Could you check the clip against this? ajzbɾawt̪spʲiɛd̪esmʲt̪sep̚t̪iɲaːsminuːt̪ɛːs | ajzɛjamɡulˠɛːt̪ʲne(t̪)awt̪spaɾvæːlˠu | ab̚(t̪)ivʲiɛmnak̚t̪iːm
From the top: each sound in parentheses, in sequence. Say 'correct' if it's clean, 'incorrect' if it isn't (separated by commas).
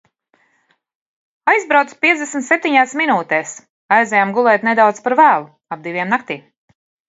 incorrect, incorrect